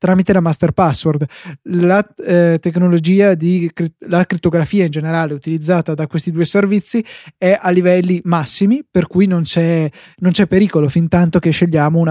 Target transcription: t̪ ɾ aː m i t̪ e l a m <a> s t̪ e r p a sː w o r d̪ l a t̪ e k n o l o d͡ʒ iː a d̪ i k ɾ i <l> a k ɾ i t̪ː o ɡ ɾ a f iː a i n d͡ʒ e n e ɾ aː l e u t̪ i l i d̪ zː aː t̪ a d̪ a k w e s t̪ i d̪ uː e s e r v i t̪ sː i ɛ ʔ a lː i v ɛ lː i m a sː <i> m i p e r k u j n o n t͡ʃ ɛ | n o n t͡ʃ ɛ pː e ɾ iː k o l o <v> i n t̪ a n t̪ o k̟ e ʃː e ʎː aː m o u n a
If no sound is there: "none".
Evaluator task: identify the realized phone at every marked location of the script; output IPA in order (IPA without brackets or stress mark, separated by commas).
a, l, i, f